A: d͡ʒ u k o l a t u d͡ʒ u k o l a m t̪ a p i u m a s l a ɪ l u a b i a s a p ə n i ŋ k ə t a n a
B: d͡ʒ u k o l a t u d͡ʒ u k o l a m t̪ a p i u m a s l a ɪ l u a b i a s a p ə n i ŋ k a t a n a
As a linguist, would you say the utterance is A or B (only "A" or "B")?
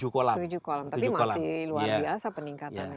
B